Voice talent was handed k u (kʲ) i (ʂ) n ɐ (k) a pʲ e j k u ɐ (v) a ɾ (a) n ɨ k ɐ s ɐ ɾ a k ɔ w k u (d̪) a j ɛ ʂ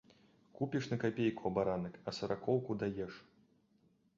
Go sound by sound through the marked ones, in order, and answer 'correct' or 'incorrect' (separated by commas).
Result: incorrect, correct, correct, incorrect, correct, correct